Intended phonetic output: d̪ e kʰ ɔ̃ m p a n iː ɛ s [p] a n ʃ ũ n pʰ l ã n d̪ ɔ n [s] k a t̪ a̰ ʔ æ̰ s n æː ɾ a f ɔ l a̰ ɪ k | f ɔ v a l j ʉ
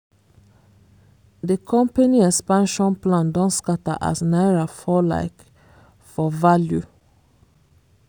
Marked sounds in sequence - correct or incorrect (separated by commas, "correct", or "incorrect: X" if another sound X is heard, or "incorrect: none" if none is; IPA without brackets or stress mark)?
correct, correct